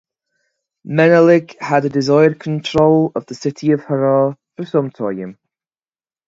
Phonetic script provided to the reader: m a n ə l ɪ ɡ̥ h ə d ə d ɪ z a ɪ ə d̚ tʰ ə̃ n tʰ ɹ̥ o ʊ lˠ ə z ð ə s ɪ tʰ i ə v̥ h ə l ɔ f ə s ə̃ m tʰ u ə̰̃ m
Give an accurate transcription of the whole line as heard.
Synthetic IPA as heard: m ɛ n ə l ɪ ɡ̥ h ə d ə d ɪ z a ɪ ə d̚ kʰ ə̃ n tʰ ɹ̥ o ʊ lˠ ə v ð ə s ɪ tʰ i ə v̥ h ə ɹ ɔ f ə s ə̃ m tʰ ɔ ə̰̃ m